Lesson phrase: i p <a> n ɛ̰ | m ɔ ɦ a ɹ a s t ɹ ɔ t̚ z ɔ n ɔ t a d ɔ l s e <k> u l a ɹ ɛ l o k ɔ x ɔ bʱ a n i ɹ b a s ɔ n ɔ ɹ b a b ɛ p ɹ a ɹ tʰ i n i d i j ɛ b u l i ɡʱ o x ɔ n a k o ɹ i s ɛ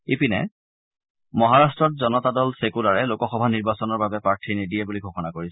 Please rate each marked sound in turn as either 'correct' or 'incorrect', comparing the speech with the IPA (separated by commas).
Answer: incorrect, correct